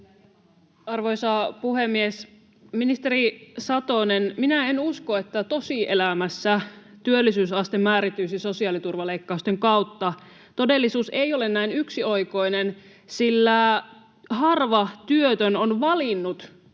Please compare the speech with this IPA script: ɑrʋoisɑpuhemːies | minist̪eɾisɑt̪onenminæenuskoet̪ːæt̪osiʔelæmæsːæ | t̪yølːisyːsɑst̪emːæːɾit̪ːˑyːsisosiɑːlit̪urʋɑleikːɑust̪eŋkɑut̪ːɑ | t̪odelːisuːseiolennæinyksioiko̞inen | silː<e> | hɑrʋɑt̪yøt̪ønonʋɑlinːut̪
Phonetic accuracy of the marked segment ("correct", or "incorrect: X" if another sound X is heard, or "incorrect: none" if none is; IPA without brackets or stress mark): incorrect: æ